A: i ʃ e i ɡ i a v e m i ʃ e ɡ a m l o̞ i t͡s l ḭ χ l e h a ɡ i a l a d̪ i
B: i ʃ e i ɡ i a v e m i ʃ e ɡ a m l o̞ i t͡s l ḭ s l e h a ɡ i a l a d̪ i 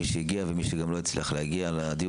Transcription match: A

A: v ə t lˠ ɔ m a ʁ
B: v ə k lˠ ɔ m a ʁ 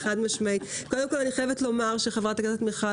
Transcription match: A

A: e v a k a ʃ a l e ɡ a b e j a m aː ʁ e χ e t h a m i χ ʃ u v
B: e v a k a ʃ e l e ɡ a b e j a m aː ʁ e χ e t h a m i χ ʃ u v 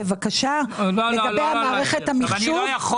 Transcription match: A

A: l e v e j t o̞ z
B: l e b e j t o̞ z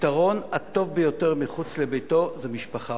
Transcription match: B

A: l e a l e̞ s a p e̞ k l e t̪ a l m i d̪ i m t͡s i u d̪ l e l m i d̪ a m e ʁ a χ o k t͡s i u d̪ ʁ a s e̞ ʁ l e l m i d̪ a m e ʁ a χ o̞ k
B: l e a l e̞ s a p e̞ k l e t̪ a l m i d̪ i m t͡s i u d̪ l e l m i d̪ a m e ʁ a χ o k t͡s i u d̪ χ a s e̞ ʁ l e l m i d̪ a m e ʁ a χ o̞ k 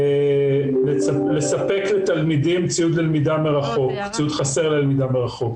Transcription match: B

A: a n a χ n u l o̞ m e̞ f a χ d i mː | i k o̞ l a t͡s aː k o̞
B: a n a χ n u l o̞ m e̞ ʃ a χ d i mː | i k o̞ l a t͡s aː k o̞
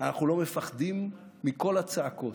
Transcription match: A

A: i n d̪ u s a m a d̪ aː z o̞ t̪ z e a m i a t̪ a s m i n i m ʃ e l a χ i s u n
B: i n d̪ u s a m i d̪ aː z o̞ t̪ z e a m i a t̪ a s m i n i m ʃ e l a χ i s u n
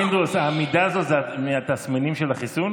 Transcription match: B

